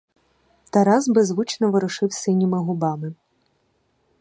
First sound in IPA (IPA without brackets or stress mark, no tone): t̪